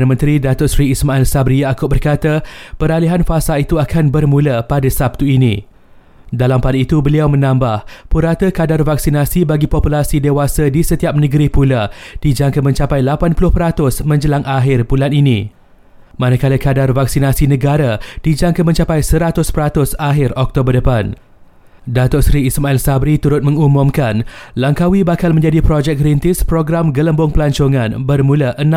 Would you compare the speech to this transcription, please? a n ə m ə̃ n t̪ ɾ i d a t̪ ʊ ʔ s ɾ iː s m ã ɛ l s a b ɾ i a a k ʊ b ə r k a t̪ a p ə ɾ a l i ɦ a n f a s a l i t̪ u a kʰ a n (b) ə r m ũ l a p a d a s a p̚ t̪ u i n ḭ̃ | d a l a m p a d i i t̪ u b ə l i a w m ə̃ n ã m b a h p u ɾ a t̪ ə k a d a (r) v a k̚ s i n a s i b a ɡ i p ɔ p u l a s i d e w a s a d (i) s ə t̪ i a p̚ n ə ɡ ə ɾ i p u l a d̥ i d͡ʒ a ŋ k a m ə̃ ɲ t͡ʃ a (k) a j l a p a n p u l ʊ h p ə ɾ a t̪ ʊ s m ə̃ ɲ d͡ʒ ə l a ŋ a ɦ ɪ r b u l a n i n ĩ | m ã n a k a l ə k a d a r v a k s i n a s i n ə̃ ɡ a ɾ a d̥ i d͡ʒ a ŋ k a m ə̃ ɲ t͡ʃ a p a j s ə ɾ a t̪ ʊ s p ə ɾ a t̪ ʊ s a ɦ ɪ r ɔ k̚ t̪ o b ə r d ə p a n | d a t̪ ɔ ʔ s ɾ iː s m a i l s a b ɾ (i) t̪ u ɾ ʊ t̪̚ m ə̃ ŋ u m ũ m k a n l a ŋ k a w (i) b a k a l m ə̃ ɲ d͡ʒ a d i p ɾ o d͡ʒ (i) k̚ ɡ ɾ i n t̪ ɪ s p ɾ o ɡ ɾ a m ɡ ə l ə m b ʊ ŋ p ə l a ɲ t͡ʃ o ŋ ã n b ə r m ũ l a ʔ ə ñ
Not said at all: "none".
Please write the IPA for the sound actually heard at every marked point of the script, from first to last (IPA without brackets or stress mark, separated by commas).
b, r, i, p, i, i, ɛ